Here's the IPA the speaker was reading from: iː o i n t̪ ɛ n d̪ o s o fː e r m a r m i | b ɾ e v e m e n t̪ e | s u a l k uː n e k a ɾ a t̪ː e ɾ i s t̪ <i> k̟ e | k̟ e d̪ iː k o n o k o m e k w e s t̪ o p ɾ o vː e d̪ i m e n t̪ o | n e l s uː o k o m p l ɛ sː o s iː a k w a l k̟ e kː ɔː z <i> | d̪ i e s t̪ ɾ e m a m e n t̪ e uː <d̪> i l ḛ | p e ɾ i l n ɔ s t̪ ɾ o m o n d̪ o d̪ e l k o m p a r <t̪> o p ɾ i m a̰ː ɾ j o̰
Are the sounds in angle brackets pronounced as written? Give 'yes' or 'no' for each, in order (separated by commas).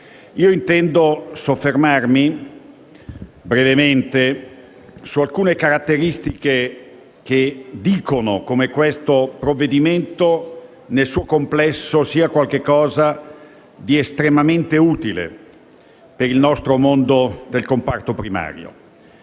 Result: yes, no, no, yes